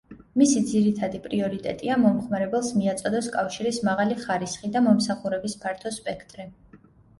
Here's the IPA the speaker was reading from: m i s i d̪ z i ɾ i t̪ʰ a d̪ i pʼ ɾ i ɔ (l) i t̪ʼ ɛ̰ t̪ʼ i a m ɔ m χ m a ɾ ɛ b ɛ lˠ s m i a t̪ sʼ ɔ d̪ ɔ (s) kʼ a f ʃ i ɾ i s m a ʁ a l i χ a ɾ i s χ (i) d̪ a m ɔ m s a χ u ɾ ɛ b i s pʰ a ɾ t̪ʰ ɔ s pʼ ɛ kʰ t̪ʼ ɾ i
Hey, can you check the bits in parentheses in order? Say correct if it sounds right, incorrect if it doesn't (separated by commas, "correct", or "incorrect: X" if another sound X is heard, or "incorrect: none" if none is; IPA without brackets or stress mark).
incorrect: ɾ, correct, correct